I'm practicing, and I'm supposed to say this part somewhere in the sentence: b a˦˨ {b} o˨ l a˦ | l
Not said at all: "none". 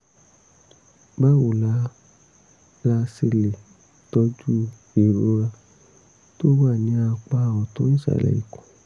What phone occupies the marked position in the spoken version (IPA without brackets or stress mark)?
w